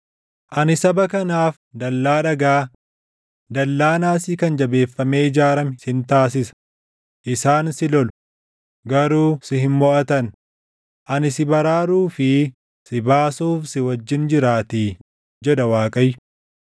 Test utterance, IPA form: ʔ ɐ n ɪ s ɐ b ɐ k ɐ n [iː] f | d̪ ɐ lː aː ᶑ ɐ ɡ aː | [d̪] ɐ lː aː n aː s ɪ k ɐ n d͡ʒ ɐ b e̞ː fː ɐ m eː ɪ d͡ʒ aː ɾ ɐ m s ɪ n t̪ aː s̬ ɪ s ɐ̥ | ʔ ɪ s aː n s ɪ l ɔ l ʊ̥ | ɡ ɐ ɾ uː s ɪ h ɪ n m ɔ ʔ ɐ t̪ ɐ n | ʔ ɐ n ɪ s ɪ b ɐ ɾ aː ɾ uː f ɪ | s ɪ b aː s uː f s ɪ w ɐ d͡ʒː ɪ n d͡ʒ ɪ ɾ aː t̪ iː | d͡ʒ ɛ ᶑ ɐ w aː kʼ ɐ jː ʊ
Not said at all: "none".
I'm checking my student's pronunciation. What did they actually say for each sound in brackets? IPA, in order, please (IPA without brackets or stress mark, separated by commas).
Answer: aː, d̪